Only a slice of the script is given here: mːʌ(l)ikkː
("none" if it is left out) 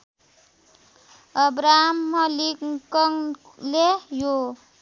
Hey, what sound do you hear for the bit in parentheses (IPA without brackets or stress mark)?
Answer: l